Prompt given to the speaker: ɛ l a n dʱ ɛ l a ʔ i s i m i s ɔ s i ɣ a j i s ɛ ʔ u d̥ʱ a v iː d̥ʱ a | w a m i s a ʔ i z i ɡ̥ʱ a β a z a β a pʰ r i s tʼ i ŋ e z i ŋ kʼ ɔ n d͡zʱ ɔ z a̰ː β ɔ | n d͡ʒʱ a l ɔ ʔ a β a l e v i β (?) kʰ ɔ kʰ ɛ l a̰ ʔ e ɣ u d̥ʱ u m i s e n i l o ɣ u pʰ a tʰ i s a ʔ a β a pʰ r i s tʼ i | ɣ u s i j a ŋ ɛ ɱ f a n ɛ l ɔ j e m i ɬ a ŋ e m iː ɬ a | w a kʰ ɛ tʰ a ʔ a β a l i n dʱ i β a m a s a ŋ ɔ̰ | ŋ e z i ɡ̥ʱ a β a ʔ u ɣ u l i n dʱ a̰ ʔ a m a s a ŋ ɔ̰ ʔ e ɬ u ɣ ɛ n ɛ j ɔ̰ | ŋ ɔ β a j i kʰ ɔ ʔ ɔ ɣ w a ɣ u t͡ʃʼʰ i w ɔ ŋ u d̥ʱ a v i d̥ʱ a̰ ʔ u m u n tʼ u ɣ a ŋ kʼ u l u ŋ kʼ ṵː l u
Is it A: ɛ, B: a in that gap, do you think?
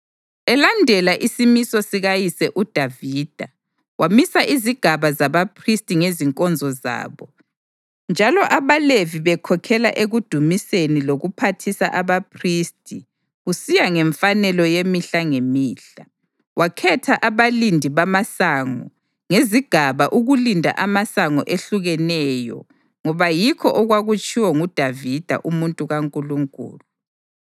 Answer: A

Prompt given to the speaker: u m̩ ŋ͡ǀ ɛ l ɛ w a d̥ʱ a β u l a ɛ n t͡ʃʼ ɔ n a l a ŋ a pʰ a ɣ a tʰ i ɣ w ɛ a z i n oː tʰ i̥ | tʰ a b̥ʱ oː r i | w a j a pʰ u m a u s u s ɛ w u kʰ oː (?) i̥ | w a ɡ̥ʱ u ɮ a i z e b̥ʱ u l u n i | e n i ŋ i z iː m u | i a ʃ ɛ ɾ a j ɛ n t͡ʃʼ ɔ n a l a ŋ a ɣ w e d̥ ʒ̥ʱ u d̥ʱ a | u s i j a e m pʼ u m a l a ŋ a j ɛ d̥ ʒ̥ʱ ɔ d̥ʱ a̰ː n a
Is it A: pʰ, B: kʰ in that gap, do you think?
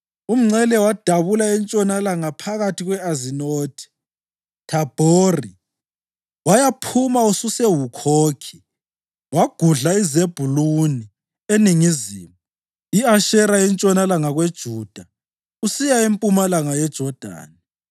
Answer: B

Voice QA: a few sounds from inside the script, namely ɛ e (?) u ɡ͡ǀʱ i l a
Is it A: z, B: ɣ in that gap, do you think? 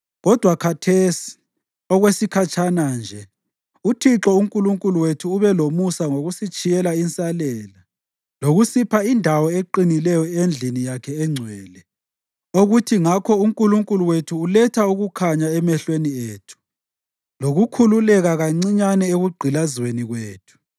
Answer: B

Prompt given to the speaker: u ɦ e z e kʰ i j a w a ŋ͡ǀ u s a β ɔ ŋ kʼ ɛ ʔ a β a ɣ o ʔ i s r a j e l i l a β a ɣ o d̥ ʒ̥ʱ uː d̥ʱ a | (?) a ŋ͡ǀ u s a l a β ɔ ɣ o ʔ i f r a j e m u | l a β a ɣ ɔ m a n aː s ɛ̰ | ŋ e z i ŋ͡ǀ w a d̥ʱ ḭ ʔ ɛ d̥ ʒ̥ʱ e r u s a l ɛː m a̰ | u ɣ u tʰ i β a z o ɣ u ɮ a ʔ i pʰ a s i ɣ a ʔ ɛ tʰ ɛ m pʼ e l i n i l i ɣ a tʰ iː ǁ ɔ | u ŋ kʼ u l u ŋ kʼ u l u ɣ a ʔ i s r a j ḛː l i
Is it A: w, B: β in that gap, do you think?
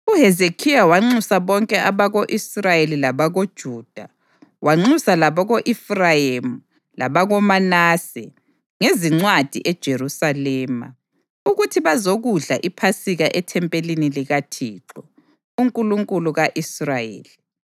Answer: A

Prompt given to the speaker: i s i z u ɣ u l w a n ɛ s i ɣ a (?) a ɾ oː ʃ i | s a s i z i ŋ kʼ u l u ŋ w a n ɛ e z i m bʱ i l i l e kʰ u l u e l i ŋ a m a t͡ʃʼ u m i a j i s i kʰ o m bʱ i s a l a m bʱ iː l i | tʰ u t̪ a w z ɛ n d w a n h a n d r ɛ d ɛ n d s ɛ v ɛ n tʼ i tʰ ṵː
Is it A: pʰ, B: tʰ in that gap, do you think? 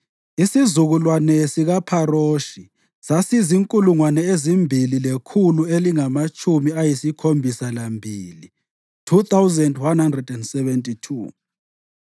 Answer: A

